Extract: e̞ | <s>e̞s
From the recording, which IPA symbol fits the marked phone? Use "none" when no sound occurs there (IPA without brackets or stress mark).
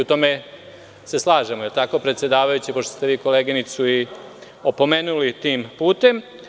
s